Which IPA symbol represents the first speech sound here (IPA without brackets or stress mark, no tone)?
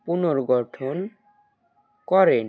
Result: p